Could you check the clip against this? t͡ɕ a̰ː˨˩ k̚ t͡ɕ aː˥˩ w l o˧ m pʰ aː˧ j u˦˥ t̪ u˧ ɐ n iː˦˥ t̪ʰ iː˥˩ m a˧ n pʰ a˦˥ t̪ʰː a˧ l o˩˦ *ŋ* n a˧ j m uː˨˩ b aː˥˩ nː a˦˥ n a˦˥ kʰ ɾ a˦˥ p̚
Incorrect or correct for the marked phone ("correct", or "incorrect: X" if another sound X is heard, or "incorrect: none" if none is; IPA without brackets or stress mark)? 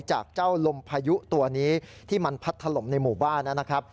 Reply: incorrect: m